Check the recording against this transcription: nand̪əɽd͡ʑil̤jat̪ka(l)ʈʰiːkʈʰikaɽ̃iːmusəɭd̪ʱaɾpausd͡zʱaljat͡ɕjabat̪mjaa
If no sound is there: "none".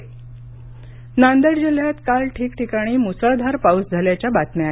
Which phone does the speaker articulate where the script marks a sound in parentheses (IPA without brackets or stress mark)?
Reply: l